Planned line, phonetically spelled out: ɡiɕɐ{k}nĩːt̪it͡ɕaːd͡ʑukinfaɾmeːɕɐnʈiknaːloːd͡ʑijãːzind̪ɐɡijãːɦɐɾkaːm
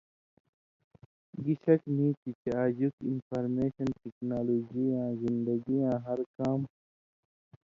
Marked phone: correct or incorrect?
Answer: correct